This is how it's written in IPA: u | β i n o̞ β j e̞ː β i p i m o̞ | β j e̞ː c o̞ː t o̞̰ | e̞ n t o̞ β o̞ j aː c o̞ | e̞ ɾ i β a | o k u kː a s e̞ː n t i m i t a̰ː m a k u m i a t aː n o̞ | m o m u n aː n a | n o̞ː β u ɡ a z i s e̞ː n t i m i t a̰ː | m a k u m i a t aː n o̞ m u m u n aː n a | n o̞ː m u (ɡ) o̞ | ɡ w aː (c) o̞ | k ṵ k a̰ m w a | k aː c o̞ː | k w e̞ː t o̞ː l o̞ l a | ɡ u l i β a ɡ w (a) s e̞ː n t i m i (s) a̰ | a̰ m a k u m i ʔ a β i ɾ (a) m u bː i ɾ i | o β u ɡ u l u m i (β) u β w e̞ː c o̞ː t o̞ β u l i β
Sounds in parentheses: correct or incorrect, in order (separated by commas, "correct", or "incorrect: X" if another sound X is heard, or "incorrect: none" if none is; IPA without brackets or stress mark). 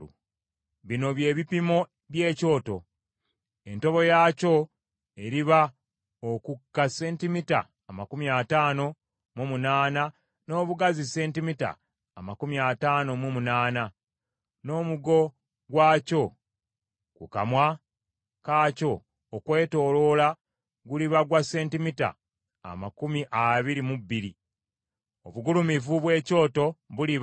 correct, correct, correct, incorrect: t, incorrect: i, incorrect: v